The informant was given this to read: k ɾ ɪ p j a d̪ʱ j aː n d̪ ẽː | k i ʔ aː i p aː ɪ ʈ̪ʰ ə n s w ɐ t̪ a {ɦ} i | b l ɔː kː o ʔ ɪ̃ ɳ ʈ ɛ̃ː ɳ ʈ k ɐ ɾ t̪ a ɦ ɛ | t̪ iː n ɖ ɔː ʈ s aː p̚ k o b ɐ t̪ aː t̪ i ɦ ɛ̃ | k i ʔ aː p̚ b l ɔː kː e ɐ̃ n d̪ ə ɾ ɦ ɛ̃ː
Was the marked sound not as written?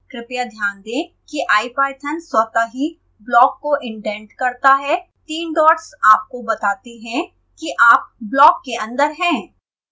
no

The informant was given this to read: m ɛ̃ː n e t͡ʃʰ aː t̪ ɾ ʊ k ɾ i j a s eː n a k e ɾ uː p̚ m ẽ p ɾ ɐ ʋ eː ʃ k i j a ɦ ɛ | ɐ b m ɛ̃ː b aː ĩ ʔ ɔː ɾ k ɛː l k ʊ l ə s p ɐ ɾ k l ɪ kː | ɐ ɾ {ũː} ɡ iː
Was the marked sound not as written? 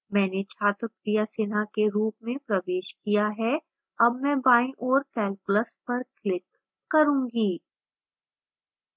no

